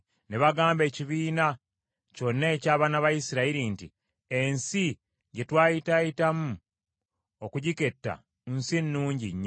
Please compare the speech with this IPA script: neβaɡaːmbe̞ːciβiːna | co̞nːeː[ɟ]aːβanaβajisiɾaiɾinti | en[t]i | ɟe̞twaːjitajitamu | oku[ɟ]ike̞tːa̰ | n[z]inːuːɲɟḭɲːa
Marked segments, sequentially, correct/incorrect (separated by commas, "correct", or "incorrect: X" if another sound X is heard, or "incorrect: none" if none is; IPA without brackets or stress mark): incorrect: c, incorrect: s, correct, incorrect: s